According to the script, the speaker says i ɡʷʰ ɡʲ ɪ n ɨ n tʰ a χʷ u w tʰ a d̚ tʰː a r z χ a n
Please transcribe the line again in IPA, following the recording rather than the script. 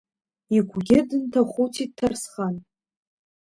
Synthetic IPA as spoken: i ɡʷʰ ɡʲ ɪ d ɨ n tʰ a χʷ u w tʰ i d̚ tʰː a r s χ a n

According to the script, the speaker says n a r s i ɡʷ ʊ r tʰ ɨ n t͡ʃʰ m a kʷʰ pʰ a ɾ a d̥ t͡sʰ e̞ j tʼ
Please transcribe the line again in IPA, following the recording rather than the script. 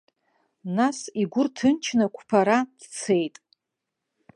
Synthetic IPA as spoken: n a s i ɡʷ ʊ r tʰ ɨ n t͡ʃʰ n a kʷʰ pʰ a ɾ a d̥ t͡sʰ e̞ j tʼ

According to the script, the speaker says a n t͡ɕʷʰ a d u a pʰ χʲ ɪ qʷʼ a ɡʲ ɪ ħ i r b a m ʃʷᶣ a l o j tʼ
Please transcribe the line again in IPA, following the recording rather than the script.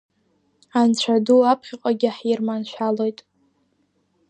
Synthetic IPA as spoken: a n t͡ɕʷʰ a d u a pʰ χʲ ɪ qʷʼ a ɡʲ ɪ ħ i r m a n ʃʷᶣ a l o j tʼ

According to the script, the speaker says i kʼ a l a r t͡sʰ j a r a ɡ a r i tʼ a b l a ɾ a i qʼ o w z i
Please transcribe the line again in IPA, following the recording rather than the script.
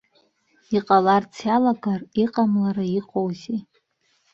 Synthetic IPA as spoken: i qʼ a l a r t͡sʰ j a l a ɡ a r i qʼ a m l a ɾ a i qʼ o w z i

